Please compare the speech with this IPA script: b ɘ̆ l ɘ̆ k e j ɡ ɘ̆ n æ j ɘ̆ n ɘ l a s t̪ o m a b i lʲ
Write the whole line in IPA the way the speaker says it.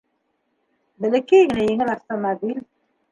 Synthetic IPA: b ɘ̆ l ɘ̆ k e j ɡ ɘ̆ n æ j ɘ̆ ŋ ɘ l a f t̪ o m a b i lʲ

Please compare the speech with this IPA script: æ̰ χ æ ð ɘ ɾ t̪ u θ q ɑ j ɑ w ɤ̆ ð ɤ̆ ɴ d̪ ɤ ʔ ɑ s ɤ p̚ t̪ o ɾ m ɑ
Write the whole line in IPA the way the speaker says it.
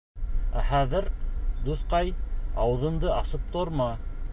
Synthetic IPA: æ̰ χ æ ð ɘ ɾ d̪ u θ q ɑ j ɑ w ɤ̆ ð ɤ̆ n d̪ ɤ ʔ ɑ s ɤ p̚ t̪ o ɾ m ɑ

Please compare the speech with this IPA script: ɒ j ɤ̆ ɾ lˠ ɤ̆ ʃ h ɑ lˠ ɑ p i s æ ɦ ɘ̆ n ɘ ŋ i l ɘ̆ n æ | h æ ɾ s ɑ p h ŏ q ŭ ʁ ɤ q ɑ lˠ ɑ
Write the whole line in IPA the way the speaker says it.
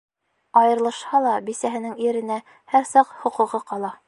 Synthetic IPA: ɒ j ɤ̆ ɾ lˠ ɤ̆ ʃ h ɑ lˠ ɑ b i s æ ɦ ɘ̆ n ɘ ŋ i ɾ ɘ̆ n æ | h æ ɾ s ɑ q h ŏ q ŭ ʁ ɤ q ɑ lˠ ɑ

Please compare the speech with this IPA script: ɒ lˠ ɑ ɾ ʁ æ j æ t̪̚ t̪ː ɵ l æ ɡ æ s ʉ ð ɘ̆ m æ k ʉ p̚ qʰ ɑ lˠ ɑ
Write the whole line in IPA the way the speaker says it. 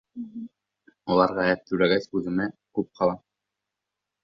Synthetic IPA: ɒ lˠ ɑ ɾ ʁ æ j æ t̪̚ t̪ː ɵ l æ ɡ æ s ʉ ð ɘ̆ m æ k ʉ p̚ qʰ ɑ lˠ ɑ

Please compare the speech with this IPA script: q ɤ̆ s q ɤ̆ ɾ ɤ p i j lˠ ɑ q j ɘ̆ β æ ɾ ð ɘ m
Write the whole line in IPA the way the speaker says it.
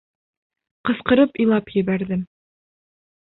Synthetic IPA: q ɤ̆ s q ɤ̆ ɾ ɤ p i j lˠ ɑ p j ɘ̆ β æ ɾ ð ɘ m

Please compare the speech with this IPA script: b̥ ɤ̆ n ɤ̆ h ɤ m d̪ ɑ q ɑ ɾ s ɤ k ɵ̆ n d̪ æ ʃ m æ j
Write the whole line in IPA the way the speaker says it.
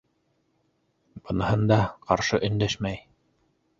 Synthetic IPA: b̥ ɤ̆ n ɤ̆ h ɤ n d̪ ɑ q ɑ ɾ ʃ ɤ ʔ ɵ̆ n d̪ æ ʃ m æ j

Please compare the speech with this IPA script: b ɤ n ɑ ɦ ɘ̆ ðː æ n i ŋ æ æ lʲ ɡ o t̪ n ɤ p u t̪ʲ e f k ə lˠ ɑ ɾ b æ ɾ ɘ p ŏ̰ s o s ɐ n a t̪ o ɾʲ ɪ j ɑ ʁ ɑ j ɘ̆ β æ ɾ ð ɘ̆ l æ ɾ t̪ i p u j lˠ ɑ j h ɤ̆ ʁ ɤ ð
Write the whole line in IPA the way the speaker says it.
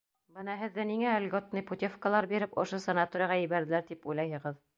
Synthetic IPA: b ɤ n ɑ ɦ ɘ̆ ðː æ n i ŋ æ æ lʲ ɡ o t̪ n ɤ p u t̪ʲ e f k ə lˠ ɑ ɾ b i ɾ ɘ p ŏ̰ ʃ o s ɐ n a t̪ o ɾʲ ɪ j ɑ ʁ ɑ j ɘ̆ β æ ɾ ð ɘ̆ l æ ɾ t̪ i p u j lˠ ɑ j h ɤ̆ ʁ ɤ ð

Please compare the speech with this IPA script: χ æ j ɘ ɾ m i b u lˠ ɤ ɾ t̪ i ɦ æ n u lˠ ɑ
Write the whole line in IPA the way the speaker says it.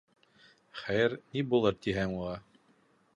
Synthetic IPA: χ æ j ɘ ɾ n i b u lˠ ɤ ɾ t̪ i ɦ æ ŋ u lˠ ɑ

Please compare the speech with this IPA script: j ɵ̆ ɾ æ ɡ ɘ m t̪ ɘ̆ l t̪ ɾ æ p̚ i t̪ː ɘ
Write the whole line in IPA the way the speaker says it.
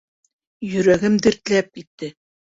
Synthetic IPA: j ɵ̆ ɾ æ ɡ ɘ m d̪ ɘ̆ ɾ t̪ l æ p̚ i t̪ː ɘ

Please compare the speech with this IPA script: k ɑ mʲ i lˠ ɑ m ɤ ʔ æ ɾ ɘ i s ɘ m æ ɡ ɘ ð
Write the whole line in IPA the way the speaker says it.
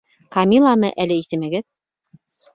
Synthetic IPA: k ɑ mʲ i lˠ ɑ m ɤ ʔ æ l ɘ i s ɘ m æ ɡ ɘ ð

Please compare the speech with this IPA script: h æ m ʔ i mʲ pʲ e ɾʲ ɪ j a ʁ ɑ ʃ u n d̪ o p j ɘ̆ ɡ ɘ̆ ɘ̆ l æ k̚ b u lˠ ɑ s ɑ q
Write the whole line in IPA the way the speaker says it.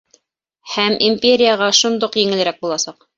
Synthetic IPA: h æ m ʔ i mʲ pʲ e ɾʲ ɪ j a ʁ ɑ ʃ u n d̪ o q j ɘ̆ ŋ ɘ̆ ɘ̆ ɾ æ k̚ b u lˠ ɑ s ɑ q

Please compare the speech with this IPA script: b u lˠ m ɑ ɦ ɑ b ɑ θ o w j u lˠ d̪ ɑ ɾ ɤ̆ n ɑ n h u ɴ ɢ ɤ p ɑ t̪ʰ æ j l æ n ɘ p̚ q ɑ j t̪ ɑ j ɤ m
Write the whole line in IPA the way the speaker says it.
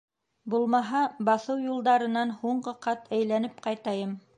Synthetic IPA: b u lˠ m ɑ ɦ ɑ b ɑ θ ɤ w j u lˠ d̪ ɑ ɾ ɤ̆ n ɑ n h u ɴ ɢ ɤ q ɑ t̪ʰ æ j l æ n ɘ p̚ q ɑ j t̪ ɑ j ɤ m

